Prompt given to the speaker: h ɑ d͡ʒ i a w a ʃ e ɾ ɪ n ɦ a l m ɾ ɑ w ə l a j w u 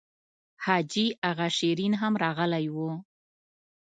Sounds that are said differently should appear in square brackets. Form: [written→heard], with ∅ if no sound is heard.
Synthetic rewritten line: h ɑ d͡ʒ i a [w→ɣ] a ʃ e ɾ [ɪ→i] n ɦ a [l→∅] m ɾ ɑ [w→ɣ] ə l a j w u